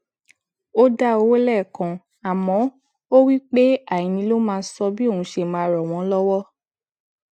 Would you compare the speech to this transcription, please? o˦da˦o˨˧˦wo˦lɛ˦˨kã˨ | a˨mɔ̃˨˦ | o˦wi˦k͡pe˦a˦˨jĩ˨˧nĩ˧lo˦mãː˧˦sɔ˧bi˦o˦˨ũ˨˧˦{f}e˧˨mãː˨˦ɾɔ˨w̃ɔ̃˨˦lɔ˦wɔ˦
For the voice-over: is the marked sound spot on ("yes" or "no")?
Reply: no